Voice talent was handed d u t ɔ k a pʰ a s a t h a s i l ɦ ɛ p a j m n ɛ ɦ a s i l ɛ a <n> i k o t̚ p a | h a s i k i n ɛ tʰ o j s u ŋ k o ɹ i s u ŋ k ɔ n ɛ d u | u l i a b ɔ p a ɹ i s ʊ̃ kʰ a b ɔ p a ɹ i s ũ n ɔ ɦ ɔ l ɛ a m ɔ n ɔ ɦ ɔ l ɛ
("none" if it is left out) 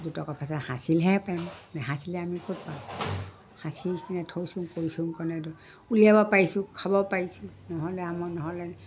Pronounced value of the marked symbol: m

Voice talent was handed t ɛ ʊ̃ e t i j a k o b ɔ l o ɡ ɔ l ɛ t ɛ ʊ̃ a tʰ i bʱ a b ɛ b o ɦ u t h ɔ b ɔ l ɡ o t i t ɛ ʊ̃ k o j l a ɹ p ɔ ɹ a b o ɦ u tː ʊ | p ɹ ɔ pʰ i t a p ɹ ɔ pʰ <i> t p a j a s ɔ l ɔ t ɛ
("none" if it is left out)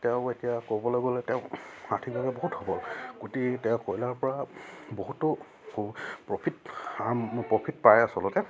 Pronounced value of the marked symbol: i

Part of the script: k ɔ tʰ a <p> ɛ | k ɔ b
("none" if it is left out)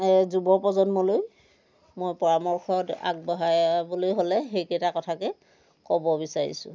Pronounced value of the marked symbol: k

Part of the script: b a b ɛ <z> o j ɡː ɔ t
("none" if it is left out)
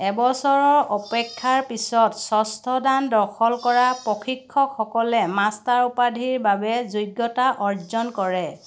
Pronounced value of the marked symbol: z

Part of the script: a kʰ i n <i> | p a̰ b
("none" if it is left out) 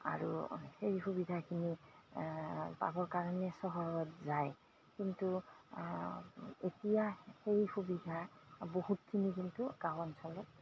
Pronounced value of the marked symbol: i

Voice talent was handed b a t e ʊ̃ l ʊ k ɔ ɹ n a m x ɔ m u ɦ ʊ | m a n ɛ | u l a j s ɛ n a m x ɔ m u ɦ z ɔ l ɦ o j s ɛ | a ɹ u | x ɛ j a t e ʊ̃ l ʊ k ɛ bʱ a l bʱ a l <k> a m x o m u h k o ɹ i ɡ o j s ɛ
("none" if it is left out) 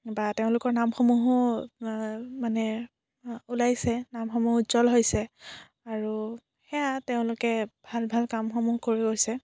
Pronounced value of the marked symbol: k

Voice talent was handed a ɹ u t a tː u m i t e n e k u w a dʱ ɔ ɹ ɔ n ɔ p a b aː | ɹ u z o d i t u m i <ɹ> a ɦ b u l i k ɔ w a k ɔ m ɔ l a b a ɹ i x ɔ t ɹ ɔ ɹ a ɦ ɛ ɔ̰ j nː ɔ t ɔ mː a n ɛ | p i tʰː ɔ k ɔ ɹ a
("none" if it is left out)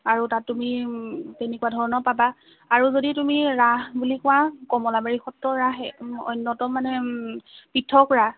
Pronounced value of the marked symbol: ɹ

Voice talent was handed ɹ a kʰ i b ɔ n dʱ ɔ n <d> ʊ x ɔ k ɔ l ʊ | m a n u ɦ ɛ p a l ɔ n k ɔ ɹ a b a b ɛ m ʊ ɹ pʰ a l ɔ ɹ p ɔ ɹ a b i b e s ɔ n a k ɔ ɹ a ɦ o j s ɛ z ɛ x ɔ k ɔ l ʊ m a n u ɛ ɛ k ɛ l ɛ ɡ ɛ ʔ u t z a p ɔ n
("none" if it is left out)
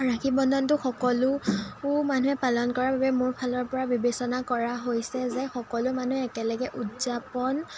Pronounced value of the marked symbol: t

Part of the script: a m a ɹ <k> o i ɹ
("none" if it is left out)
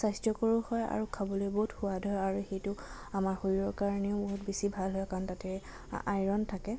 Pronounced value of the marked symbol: x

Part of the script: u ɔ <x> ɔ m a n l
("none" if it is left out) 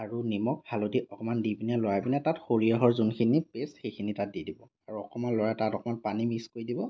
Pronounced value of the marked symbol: k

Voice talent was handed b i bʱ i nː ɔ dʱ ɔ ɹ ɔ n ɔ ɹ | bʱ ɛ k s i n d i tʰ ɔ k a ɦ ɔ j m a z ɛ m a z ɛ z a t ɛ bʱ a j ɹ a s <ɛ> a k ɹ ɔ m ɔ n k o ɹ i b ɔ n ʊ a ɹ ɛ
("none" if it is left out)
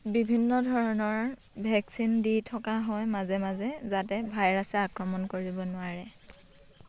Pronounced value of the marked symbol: ɛ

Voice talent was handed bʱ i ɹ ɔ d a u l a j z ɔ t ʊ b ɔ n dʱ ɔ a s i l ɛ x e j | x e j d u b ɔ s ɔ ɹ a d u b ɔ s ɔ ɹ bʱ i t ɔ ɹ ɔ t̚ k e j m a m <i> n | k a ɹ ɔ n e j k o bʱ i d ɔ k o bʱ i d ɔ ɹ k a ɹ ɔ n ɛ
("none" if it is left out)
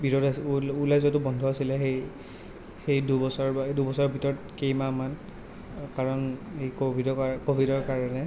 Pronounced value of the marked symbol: a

